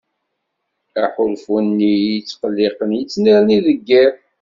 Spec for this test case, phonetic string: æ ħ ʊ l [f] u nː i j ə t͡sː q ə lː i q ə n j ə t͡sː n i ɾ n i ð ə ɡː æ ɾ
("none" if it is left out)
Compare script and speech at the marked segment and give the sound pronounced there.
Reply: f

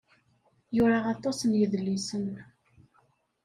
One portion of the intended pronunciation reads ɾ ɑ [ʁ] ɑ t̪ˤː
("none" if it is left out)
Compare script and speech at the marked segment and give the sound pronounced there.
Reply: ʁ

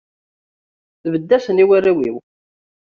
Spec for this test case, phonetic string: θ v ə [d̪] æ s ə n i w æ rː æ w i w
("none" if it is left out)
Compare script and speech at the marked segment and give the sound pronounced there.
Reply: d̪ː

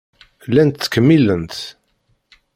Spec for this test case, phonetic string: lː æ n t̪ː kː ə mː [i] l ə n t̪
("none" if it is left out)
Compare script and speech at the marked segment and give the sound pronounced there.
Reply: i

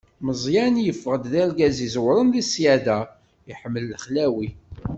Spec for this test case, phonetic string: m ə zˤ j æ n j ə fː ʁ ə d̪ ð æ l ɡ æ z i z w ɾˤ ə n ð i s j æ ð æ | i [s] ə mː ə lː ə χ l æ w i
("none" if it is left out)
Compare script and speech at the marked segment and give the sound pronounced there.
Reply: ħ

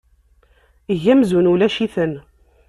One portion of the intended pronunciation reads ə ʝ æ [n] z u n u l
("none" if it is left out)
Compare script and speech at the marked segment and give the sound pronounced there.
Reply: m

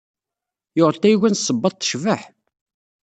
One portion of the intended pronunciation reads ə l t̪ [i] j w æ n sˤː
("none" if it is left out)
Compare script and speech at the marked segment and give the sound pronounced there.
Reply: æ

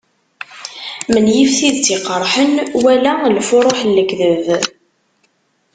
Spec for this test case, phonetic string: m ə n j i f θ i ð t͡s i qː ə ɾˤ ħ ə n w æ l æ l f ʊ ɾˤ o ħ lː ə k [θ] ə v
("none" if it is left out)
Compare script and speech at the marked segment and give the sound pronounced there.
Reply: ð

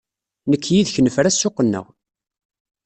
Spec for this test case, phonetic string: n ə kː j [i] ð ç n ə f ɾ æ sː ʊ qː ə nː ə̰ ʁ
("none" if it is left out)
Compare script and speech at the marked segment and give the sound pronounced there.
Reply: i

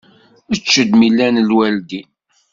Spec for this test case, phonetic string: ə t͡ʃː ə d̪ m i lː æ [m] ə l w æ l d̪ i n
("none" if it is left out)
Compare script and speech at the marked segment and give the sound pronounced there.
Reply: n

